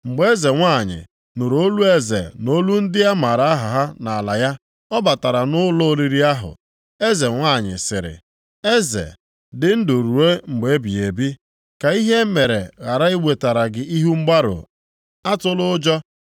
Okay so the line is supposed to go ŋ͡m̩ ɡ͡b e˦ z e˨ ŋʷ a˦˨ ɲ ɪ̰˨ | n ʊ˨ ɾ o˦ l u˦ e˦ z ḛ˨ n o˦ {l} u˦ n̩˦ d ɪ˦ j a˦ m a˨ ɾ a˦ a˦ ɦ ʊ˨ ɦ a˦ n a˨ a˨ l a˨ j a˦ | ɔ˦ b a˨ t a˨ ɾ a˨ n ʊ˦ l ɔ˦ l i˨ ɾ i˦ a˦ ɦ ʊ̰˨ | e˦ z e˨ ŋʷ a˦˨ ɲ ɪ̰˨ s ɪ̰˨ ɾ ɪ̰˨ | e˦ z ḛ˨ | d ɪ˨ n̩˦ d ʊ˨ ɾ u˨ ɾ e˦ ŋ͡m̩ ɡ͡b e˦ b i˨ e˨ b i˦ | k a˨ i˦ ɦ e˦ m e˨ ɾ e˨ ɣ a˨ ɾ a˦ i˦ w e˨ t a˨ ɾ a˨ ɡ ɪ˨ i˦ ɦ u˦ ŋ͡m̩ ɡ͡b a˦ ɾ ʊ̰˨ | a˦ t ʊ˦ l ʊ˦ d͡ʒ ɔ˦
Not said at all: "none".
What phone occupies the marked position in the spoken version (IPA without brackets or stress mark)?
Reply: l